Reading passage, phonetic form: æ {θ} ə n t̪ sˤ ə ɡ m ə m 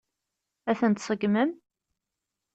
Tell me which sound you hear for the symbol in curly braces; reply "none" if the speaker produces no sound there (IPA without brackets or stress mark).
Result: θ